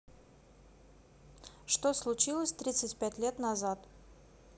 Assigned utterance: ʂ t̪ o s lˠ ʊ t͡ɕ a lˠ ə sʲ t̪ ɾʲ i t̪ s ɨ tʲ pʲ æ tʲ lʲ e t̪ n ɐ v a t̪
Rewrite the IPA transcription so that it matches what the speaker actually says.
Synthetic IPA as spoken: ʂ t̪ o s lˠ ʊ t͡ɕ i lˠ ə sʲ t̪ ɾʲ i t̪ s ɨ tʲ pʲ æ tʲ lʲ e t̪ n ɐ z a t̪

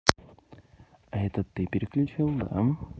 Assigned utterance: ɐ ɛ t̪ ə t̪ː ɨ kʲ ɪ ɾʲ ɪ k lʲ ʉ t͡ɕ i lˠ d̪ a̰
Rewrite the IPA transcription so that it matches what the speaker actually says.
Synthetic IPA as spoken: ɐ ɛ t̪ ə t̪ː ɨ pʲ ɪ ɾʲ ɪ k lʲ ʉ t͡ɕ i lˠ d̪ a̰

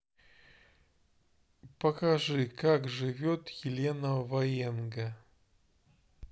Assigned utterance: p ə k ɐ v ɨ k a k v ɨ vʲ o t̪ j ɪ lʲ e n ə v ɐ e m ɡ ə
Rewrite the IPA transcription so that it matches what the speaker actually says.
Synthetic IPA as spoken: p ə k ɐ ʐ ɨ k a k ʐ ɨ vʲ o t̪ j ɪ lʲ e n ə v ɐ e n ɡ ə

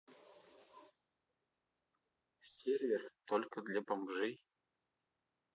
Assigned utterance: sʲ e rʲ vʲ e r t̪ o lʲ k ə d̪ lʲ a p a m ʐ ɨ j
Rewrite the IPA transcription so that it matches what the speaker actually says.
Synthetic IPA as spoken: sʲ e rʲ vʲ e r t̪ o lʲ k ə d̪ lʲ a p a m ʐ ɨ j

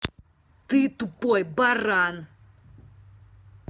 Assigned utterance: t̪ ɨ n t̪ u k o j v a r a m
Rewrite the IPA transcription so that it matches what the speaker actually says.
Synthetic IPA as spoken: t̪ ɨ t̪ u p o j b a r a n

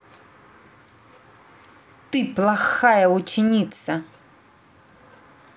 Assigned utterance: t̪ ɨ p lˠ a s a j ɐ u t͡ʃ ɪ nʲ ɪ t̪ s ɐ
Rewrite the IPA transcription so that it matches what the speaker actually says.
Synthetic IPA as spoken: t̪ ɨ p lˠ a x a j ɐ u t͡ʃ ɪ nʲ i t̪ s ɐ

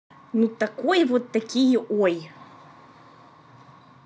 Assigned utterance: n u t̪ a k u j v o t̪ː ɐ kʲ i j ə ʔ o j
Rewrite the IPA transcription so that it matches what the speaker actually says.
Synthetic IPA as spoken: n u t̪ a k o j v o t̪ː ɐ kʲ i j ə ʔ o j

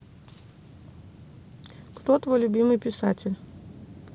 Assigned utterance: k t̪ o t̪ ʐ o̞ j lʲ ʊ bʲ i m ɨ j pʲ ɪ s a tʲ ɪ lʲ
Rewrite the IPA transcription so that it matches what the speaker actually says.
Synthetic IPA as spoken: k t̪ o t̪ v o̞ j lʲ ʊ bʲ i m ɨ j pʲ ɪ s a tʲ ɪ lʲ

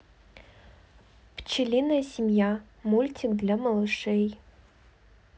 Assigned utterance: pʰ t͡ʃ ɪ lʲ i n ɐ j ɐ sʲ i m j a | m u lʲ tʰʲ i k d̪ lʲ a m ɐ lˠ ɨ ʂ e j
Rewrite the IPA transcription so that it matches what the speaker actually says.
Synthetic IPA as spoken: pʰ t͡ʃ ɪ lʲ i n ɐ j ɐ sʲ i m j a | m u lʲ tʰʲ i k d̪ lʲ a m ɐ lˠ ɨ ʂ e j

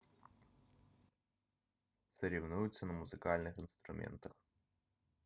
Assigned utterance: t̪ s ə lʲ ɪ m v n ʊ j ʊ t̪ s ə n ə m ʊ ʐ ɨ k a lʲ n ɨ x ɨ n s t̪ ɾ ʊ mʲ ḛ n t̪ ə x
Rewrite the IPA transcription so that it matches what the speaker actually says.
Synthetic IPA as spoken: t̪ s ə ɾʲ ɪ v n u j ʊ t̪ s ə n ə m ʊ z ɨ k a lʲ n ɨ x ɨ n s t̪ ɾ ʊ mʲ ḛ n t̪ ə x

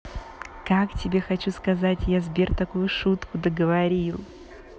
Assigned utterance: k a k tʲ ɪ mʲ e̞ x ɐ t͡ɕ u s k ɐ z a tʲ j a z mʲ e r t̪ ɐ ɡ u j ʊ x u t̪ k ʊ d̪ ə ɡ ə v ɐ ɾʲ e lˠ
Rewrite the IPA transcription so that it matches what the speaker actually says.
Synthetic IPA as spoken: k a k tʲ ɪ bʲ e̞ x ɐ t͡ɕ u s k ɐ z a tʲ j a z bʲ e r t̪ ɐ k u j ʊ ʂ u t̪ k ʊ d̪ ə ɡ ə v ɐ ɾʲ i lˠ

